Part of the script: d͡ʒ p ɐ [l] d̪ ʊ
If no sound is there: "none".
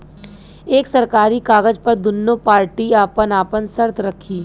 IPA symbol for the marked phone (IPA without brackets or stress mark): ɾ